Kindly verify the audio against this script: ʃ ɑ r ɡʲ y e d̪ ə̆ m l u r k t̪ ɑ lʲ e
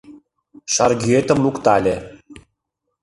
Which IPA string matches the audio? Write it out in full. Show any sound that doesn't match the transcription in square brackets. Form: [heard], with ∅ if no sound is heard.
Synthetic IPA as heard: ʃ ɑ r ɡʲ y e [t̪] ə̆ m l u [∅] k t̪ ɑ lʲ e